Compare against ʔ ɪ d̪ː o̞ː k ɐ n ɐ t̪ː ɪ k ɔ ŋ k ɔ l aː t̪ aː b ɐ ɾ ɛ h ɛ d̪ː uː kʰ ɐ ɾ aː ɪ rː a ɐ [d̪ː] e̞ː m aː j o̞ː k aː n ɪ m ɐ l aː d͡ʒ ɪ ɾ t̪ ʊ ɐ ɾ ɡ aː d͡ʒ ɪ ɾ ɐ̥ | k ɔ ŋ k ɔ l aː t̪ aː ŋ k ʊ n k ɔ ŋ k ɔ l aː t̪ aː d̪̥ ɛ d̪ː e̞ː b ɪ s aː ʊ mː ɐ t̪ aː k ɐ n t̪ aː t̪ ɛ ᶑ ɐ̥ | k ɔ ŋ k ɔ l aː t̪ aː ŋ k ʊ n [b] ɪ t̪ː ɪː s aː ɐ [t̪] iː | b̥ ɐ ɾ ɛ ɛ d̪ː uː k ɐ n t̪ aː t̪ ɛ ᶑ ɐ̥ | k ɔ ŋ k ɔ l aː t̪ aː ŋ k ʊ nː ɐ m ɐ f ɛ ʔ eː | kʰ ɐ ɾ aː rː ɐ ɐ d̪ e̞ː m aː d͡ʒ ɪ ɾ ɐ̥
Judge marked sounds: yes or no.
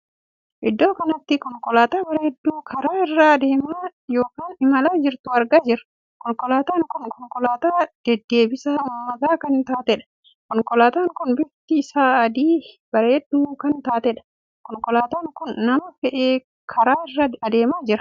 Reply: no, yes, no

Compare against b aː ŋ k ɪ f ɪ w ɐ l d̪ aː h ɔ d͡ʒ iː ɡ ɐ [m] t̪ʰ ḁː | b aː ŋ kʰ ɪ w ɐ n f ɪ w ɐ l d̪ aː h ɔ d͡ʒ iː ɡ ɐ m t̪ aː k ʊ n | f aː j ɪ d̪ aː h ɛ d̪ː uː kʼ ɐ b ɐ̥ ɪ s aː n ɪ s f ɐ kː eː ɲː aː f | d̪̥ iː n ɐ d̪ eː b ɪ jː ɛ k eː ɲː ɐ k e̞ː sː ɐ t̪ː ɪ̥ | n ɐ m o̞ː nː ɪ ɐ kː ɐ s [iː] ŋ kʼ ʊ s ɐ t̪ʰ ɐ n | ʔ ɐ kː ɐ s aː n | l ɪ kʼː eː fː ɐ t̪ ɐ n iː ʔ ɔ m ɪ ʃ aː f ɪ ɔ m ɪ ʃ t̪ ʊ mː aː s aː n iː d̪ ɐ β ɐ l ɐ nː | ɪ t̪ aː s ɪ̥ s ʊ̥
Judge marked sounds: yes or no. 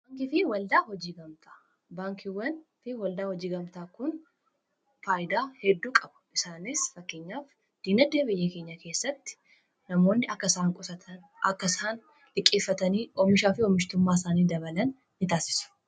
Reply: yes, no

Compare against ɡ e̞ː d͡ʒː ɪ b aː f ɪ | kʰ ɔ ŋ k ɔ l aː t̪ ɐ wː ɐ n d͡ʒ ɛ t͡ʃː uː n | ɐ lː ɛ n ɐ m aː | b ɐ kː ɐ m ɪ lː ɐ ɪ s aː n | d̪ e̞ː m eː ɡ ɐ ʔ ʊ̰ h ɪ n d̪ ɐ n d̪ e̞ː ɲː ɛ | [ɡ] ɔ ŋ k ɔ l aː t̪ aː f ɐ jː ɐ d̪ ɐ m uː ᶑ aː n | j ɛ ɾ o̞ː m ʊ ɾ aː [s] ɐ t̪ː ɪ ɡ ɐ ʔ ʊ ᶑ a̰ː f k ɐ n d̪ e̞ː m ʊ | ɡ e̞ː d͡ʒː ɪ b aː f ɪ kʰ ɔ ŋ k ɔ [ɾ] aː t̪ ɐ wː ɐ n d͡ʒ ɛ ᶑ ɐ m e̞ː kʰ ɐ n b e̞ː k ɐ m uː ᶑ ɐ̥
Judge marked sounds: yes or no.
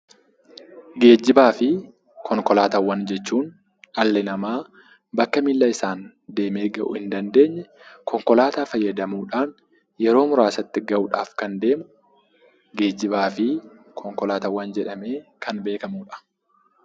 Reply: no, yes, no

